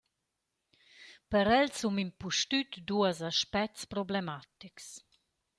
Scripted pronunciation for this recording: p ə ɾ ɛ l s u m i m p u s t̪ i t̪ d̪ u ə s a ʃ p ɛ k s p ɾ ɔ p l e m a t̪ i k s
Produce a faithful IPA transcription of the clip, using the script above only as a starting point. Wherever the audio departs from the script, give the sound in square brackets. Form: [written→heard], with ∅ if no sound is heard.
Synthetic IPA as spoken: p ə ɾ ɛ l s u m i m p u [s→ʃ] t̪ [i→y] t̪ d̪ u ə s a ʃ p ɛ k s p ɾ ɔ [p→b] l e m a t̪ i k s